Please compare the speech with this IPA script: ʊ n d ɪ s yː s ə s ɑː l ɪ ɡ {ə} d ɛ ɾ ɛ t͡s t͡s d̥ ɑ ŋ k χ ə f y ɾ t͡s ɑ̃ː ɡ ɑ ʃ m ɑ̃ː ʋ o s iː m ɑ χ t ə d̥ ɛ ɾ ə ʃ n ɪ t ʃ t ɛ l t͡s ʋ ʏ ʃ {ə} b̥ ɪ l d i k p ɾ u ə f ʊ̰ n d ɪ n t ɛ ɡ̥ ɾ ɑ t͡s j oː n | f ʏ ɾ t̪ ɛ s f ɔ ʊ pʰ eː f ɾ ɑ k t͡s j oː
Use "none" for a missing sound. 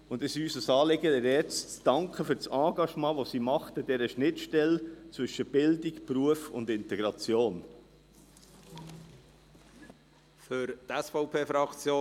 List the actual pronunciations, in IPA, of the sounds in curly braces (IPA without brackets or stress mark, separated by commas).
ə, ə